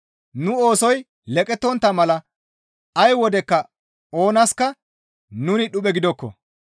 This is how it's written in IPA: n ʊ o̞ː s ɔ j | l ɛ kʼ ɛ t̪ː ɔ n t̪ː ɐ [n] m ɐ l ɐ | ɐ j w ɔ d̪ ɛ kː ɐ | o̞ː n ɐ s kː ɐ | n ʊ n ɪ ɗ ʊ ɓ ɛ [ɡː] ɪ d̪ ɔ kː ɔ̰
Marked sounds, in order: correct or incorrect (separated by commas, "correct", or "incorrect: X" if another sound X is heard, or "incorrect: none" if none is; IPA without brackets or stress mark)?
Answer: incorrect: none, incorrect: ɡ